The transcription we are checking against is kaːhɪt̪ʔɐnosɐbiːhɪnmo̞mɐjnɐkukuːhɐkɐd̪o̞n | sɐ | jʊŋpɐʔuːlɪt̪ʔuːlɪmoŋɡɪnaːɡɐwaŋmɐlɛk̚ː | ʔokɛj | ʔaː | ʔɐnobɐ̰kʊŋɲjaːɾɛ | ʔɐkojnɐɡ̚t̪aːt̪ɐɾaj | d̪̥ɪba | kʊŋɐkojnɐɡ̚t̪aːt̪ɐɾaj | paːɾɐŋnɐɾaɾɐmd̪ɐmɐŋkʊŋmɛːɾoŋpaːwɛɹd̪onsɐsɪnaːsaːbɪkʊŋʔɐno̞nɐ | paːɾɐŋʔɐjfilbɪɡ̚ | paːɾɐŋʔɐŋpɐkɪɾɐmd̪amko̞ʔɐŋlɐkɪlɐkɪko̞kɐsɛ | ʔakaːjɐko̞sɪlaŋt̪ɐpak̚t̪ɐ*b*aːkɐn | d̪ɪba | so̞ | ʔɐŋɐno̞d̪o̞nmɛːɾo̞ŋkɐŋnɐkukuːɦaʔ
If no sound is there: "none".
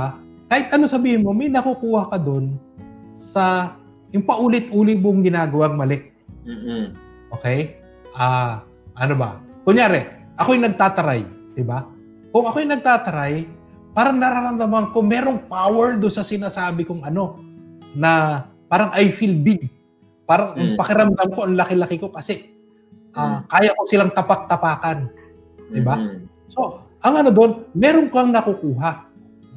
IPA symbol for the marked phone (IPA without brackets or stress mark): p